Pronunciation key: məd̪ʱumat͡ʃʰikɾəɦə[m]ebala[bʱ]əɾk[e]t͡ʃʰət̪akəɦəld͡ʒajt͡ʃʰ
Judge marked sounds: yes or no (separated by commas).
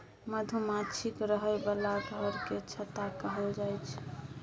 no, no, yes